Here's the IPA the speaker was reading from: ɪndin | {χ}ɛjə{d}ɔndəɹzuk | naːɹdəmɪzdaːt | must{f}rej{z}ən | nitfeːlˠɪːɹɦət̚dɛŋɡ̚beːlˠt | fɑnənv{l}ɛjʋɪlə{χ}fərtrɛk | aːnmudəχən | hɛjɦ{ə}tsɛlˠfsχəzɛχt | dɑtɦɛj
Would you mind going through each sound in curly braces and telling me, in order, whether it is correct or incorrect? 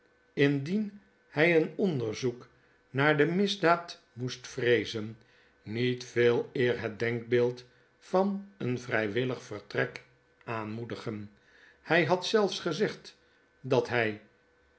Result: incorrect: h, incorrect: n, correct, correct, incorrect: r, correct, incorrect: ɑ

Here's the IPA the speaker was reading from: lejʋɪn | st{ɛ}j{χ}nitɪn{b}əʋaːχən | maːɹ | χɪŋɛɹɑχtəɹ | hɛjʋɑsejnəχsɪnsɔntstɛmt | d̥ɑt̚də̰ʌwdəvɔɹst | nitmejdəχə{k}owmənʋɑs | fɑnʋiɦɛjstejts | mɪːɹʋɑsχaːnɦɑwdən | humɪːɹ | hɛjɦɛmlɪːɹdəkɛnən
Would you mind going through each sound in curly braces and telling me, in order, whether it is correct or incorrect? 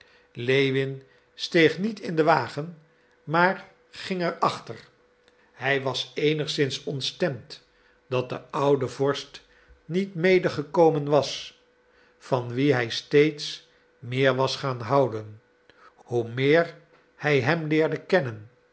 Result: incorrect: e, correct, incorrect: d, correct

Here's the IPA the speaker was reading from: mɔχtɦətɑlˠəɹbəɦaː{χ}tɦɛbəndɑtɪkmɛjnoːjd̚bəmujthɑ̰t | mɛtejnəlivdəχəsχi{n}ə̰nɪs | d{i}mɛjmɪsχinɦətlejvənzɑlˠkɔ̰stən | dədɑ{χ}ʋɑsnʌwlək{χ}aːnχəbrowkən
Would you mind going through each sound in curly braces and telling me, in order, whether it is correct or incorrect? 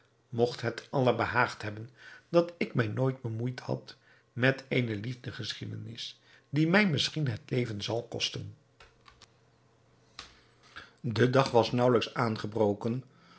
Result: correct, incorrect: d, correct, correct, incorrect: s

